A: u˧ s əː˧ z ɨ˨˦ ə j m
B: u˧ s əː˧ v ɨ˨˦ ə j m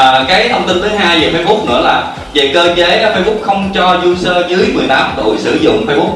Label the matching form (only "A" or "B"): A